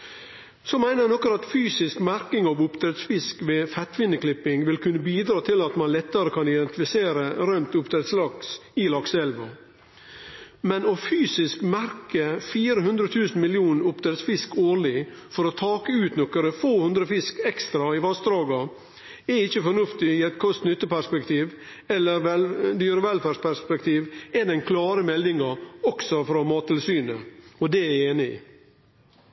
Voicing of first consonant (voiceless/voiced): voiceless